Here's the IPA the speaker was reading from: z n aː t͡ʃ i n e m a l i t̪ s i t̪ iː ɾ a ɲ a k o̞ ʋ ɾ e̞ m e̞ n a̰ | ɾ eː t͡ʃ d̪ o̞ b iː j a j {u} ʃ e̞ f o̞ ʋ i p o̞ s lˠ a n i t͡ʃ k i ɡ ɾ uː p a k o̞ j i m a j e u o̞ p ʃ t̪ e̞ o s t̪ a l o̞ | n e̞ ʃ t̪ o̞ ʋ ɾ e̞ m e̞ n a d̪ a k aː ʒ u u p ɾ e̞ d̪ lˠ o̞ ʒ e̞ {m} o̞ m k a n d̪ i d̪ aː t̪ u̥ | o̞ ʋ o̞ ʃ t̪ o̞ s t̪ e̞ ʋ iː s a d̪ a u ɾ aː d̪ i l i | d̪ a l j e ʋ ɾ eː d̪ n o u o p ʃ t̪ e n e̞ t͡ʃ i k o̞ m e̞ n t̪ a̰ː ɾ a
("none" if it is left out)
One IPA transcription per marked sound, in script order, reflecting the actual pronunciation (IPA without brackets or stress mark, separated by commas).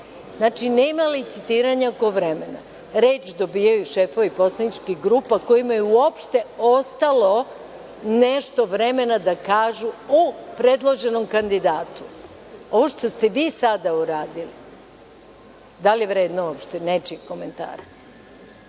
u, n